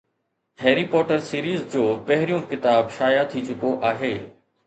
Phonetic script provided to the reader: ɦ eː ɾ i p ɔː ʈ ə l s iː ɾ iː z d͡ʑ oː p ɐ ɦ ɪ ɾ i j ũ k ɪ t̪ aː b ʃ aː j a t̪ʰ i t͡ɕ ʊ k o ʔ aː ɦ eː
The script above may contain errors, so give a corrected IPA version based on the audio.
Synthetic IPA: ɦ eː ɾ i p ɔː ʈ ə ɾ s iː ɾ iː z d͡ʑ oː p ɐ ɦ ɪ ɾ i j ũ k ɪ t̪ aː b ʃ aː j a t̪ʰ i t͡ɕ ʊ k o ʔ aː ɦ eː